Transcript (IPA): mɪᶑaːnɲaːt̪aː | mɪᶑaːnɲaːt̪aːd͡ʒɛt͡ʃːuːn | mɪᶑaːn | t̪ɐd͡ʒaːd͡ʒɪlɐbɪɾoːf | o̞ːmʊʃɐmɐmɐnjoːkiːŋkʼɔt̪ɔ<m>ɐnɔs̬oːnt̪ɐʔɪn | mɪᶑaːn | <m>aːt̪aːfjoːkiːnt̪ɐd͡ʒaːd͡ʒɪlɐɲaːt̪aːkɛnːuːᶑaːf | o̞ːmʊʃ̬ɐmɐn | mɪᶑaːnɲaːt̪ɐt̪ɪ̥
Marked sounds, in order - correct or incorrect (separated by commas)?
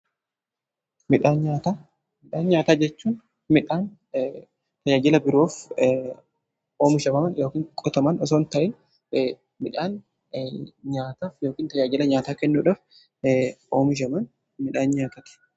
correct, incorrect